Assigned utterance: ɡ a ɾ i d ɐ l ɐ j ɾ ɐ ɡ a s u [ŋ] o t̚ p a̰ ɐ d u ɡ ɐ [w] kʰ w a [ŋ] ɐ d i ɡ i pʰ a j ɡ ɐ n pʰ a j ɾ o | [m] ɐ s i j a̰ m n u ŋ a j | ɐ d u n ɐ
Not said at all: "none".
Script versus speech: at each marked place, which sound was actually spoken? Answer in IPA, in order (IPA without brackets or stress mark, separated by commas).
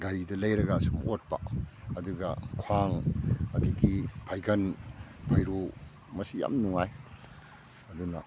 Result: m, none, ŋ, m